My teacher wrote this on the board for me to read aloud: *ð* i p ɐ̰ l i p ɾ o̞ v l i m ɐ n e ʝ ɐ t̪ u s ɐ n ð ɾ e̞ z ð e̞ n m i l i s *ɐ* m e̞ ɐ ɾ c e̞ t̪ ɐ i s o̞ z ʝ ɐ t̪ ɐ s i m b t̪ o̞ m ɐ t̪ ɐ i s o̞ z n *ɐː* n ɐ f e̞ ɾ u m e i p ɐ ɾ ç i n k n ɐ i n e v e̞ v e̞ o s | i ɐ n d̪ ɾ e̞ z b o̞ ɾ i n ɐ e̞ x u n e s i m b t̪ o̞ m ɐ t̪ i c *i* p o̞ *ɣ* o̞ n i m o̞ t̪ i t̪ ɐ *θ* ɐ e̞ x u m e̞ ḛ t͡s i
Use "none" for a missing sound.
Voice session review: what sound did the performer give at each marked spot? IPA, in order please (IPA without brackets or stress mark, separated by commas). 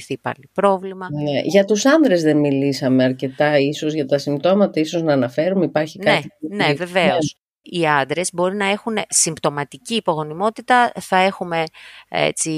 θ, ɐ, ɐː, iː, ɣ, θ